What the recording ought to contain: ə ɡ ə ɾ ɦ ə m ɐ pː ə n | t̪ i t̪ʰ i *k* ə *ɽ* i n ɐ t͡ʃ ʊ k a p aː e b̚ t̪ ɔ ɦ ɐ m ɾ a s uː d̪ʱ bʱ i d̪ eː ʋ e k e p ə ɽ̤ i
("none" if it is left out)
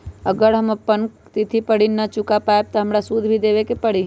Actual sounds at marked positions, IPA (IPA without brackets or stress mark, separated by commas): p, ɽ